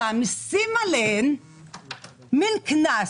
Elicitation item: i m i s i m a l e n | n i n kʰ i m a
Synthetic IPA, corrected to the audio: a m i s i m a l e n | m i n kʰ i n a